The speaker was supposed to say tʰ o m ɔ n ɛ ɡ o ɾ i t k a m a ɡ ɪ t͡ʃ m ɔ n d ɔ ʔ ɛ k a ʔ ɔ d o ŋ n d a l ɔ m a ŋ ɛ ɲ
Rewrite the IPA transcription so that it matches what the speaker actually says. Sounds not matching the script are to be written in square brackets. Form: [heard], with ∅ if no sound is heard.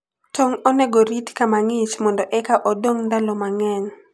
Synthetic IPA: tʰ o [ŋ] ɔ n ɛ ɡ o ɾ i t k a m a [ŋ] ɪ t͡ʃ m ɔ n d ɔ ʔ ɛ k a ʔ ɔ d o ŋ n d a l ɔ m a ŋ ɛ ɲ